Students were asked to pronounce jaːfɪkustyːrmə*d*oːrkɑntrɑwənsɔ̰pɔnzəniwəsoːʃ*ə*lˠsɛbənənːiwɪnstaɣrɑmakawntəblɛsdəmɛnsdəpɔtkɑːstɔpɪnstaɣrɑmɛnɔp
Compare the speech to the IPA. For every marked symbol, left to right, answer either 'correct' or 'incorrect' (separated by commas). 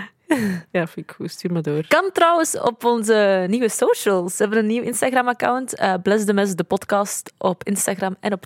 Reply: correct, correct